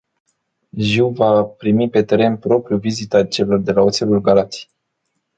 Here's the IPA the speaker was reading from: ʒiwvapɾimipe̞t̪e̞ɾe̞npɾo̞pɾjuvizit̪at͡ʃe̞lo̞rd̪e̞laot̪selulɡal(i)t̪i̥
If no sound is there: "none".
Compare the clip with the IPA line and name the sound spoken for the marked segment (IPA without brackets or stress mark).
a